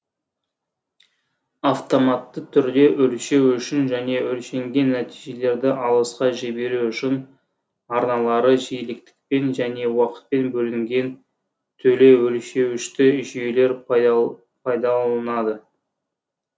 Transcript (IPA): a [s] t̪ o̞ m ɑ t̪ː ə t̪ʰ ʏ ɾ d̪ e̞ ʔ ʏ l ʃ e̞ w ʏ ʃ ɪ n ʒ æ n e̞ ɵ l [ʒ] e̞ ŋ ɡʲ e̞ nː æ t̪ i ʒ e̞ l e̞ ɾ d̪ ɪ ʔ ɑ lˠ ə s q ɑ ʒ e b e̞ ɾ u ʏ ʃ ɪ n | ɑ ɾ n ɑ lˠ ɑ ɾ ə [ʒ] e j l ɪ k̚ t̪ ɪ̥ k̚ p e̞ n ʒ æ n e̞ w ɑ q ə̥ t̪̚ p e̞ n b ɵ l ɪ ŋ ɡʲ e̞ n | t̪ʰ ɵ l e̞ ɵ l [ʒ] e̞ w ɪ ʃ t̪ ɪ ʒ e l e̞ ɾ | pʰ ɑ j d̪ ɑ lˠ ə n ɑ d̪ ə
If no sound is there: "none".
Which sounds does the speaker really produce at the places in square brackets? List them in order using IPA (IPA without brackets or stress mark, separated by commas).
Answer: f, ʃ, ʒ, ʃ